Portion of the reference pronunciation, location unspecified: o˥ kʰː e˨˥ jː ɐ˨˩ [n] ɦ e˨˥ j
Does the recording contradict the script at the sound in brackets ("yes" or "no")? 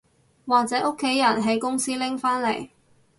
no